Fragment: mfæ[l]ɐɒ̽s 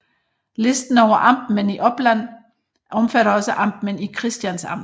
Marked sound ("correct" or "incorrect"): incorrect